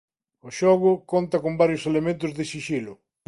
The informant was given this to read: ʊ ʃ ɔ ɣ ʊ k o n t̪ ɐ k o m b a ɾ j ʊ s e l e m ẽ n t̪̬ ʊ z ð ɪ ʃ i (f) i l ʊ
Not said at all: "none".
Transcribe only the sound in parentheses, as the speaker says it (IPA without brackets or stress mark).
ʃ